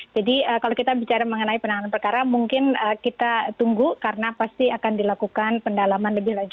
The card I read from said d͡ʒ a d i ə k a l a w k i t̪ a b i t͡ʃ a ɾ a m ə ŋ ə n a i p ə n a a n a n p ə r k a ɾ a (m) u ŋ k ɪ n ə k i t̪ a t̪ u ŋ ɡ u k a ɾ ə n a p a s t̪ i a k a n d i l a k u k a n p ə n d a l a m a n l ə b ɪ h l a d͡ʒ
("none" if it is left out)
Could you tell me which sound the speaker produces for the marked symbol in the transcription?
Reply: m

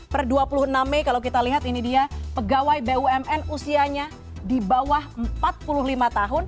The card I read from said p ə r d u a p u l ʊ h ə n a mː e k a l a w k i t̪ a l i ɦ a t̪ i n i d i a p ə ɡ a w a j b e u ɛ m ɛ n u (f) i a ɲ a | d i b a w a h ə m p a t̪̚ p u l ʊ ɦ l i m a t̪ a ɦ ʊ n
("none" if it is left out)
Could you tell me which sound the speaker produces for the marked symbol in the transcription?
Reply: s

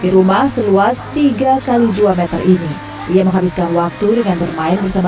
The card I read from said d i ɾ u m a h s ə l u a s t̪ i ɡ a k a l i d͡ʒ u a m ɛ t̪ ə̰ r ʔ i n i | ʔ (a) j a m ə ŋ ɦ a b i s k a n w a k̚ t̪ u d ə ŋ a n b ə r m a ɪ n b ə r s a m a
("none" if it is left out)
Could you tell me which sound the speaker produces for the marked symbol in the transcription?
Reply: i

